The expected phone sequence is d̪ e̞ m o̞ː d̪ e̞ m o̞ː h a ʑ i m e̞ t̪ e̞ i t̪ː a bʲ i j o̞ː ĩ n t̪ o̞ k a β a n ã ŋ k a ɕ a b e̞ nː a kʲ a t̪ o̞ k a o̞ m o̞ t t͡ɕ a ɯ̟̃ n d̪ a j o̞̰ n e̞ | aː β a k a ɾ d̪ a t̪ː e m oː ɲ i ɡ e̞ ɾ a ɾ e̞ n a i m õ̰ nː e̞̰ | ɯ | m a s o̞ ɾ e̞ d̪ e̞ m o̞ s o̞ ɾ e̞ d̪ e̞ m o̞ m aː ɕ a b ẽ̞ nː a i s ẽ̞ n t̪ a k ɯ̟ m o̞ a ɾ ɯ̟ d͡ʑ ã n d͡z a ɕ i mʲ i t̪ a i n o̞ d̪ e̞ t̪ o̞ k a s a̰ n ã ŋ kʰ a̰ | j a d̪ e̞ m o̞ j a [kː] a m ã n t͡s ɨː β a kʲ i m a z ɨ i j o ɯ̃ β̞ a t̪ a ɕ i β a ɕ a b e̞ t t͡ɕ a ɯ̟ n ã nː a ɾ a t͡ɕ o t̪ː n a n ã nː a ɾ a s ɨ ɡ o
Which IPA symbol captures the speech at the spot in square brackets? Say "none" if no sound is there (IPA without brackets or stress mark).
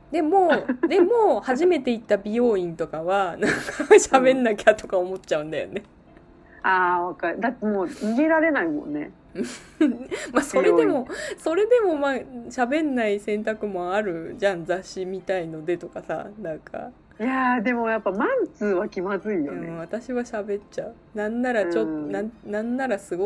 pː